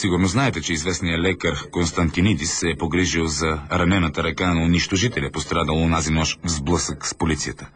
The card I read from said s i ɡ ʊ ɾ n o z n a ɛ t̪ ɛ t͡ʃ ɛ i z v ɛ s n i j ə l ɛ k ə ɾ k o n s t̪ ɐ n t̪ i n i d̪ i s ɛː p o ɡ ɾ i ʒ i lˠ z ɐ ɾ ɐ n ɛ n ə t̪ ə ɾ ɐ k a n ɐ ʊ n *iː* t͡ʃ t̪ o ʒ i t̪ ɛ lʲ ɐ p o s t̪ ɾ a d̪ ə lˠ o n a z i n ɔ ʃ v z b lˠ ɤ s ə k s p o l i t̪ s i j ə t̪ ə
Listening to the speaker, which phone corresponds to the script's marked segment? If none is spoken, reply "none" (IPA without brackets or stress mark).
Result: i